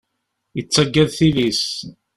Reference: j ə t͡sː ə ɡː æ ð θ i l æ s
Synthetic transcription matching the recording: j ə t͡sː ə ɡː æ ð θ i l i s